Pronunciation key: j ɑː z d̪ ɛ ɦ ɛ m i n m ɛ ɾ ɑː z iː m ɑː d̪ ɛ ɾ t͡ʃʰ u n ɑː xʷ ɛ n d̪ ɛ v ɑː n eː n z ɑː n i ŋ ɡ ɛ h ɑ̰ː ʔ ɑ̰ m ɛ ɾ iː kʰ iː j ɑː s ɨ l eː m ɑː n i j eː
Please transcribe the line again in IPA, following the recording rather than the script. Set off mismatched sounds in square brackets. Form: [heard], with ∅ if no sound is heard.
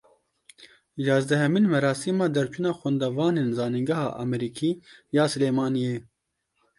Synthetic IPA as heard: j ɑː z d̪ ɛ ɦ ɛ m i n m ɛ ɾ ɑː [s] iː m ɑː d̪ ɛ ɾ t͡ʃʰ u n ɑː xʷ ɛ n d̪ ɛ v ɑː n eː n z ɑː n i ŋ ɡ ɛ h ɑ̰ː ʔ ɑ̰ m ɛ ɾ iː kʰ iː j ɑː s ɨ l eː m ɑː n i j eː